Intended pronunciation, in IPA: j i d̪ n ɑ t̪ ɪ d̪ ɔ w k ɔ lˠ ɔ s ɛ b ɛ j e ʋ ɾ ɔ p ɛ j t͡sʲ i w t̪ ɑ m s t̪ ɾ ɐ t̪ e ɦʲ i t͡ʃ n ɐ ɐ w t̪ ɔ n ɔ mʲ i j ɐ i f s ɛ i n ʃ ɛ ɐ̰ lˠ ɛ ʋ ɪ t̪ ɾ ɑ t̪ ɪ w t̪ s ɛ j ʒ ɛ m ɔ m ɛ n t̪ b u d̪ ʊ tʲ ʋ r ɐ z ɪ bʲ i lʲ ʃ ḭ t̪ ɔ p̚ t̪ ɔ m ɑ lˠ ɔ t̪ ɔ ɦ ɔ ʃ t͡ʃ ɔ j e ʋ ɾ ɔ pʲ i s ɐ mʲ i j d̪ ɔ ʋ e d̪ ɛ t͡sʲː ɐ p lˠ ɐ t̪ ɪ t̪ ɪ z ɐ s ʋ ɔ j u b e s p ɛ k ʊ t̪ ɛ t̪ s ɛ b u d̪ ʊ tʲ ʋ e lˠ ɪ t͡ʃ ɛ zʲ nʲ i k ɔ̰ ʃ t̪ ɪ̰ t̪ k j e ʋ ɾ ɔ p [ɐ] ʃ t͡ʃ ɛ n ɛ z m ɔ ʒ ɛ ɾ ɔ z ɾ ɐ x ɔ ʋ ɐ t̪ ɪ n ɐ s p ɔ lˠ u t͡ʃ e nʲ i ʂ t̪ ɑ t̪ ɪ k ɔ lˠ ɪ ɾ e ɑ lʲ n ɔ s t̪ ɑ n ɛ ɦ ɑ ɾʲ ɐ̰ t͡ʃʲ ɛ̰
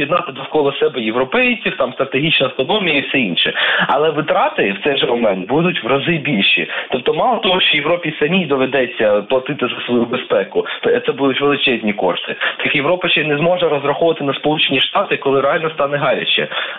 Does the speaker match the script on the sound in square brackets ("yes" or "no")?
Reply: yes